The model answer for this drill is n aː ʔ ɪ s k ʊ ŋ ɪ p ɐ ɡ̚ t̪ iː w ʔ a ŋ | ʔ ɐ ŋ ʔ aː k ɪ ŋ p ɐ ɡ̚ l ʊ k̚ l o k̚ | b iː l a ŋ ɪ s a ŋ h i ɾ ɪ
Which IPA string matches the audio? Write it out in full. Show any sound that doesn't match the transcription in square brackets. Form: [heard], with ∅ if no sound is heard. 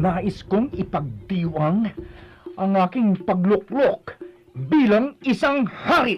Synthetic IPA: n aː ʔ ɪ s k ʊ ŋ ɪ p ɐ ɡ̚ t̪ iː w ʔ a ŋ | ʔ ɐ ŋ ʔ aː k ɪ ŋ p ɐ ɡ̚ l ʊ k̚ l o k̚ | b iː l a ŋ ɪ s a ŋ h [a] ɾ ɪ